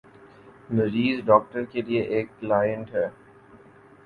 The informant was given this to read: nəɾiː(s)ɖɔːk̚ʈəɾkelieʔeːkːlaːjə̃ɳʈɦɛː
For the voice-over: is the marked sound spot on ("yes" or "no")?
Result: no